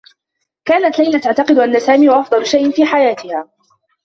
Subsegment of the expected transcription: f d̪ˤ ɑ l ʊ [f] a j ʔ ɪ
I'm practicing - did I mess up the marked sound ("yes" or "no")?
yes